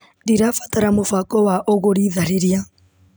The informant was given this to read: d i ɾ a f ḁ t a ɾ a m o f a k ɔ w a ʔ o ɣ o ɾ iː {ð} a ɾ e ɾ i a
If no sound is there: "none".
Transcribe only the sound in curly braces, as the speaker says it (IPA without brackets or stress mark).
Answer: ð